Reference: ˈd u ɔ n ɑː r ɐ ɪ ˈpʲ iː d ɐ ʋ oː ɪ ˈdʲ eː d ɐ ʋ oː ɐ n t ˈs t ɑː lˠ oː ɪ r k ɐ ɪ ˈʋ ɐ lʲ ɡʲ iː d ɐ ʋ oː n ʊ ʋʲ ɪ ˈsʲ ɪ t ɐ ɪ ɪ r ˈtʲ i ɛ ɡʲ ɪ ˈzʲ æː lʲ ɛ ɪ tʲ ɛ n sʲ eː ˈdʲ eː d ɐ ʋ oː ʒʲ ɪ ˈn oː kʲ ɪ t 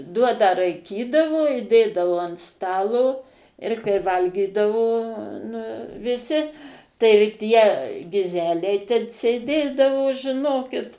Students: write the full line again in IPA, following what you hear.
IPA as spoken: ˈd u ɔ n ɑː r ɐ ɪ ˈkʲ iː d ɐ ʋ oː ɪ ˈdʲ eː d ɐ ʋ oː ɐ n t ˈs t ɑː lˠ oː ɪ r k ɐ ɪ ˈʋ ɐ lʲ ɡʲ iː d ɐ ʋ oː n ʊ ʋʲ ɪ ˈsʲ ɪ t ɐ ɪ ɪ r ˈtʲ i ɛ ɡʲ ɪ ˈzʲ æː lʲ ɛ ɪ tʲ ɛ n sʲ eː ˈdʲ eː d ɐ ʋ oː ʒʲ ɪ ˈn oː kʲ ɪ t

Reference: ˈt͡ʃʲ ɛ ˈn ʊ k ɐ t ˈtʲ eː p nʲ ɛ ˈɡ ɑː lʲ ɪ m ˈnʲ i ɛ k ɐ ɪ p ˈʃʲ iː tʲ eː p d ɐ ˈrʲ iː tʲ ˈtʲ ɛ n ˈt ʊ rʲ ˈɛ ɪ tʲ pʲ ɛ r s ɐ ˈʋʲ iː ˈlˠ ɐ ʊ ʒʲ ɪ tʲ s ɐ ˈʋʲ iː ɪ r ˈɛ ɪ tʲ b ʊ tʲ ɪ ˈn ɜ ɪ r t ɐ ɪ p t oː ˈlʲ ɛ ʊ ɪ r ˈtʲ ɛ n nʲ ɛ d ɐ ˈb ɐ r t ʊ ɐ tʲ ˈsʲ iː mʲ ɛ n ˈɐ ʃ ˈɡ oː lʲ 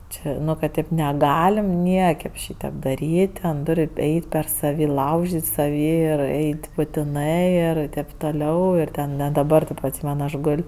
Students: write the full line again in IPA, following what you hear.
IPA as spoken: ˈt͡ʃʲ ɛ ˈn ʊ k ɐ t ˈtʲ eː p nʲ ɛ ˈɡ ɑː lʲ ɪ m ˈnʲ i ɛ k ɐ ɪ p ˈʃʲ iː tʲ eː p d ɐ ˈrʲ iː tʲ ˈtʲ ɛ n ˈt ʊ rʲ ˈɛ ɪ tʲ pʲ ɛ r s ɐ ˈʋʲ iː ˈlˠ ɐ ʊ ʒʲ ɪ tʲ s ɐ ˈʋʲ iː ɪ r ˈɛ ɪ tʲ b ʊ tʲ ɪ ˈn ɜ ɪ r t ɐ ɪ p t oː ˈlʲ ɛ ʊ ɪ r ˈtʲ ɛ n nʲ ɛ d ɐ ˈb ɐ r t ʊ ɐ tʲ ˈsʲ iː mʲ ɛ n ˈɐ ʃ ˈɡ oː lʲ

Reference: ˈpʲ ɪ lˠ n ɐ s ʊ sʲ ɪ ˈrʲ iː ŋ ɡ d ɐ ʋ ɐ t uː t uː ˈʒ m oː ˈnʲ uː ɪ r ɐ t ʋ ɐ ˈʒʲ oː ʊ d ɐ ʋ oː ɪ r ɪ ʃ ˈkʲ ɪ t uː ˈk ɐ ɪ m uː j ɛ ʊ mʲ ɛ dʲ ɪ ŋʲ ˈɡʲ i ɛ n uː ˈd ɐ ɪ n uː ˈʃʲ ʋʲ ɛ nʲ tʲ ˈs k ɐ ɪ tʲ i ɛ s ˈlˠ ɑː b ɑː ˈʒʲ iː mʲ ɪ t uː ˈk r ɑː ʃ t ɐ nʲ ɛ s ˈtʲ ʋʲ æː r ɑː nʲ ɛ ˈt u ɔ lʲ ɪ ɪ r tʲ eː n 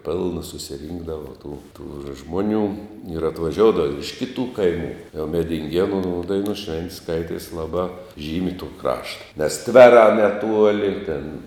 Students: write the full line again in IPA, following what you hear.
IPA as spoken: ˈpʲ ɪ lˠ n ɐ s ʊ sʲ ɪ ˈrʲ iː ŋ ɡ d ɐ ʋ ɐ t uː t uː ˈʒ m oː ˈnʲ uː ɪ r ɐ t ʋ ɐ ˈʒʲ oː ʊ d ɐ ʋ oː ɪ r ɪ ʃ ˈkʲ ɪ t uː ˈk ɐ ɪ m uː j ɛ ʊ mʲ ɛ dʲ ɪ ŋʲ ˈɡʲ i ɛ n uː ˈd ɐ ɪ n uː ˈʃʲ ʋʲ ɛ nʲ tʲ ˈs k ɐ ɪ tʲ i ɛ s ˈlˠ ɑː b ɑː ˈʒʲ iː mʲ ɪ t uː ˈk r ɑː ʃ t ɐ nʲ ɛ s ˈtʲ ʋʲ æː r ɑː nʲ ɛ ˈt u ɔ lʲ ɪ ɪ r tʲ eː n

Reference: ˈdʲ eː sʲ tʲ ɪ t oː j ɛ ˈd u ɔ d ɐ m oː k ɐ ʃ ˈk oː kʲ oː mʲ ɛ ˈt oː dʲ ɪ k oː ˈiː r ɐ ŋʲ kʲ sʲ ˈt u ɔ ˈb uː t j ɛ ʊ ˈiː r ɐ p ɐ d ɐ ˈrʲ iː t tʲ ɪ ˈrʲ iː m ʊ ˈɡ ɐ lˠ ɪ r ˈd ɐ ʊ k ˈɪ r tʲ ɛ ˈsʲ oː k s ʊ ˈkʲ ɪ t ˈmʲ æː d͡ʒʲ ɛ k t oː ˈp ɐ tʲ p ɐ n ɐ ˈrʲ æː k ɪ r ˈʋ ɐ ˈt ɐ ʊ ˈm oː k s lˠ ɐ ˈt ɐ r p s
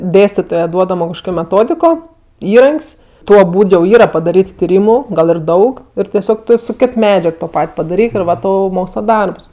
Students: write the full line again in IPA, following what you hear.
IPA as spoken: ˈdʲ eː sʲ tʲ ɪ t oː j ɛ ˈd u ɔ d ɐ m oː k ɐ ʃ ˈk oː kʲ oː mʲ ɛ ˈt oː dʲ ɪ k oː ˈiː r ɐ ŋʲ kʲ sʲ ˈt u ɔ ˈb uː t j ɛ ʊ ˈiː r ɐ p ɐ d ɐ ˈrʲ iː t tʲ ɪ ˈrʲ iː m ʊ ˈɡ ɐ lˠ ɪ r ˈd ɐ ʊ k ˈɪ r tʲ ɛ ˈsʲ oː k s ʊ ˈkʲ ɪ t ˈmʲ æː d͡ʒʲ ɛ k t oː ˈp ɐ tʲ p ɐ d ɐ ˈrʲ iː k ɪ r ˈʋ ɐ ˈt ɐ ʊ ˈm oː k s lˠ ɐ ˈd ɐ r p s

